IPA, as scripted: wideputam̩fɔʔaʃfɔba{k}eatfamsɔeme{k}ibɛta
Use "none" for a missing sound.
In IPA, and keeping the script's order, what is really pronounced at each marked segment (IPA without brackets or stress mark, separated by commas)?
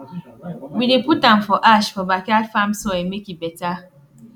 k, k